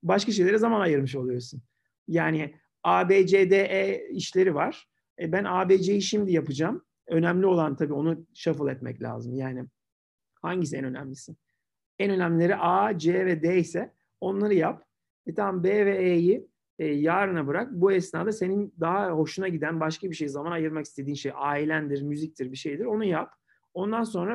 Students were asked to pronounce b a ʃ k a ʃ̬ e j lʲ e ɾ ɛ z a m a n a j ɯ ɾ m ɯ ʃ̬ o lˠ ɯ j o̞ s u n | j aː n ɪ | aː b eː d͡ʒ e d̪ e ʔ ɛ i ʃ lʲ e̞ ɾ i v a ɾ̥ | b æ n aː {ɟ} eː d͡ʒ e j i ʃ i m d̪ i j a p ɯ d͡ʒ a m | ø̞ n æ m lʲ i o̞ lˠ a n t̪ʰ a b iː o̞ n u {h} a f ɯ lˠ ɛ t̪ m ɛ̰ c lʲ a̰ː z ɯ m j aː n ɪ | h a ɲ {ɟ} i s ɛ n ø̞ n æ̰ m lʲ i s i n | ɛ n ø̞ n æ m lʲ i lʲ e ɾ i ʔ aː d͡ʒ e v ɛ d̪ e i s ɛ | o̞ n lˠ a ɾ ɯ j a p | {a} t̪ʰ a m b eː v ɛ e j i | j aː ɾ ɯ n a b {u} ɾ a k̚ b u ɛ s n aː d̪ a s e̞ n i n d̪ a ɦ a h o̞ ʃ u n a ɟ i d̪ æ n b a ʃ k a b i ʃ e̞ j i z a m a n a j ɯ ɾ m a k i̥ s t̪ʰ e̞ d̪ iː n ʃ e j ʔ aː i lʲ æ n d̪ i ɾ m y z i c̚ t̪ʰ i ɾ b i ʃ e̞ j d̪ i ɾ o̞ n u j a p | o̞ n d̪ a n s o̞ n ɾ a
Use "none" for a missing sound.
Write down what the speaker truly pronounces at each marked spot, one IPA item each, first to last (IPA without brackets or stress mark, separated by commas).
b, ʃ, ɟ, ɛ, ɯ